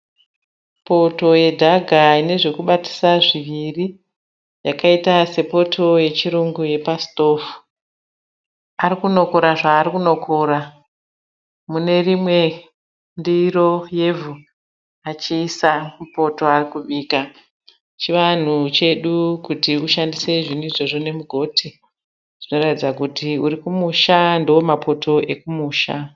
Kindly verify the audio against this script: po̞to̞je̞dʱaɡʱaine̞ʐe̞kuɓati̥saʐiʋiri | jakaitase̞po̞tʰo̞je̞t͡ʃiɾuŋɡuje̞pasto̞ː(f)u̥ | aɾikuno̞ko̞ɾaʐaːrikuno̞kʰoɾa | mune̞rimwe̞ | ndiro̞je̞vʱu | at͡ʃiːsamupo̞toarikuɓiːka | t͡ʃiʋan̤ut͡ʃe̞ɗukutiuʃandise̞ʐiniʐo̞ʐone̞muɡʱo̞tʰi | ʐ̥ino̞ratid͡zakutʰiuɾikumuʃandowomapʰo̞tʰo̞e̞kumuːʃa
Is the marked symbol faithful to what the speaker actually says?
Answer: yes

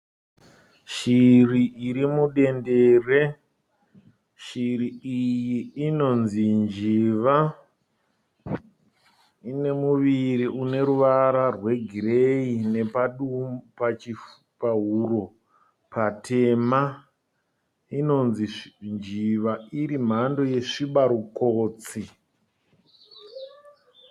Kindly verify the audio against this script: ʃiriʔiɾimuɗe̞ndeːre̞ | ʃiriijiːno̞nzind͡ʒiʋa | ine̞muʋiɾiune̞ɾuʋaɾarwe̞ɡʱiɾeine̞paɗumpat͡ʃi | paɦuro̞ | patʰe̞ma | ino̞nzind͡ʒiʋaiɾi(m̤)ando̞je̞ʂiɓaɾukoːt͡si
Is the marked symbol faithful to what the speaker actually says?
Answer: yes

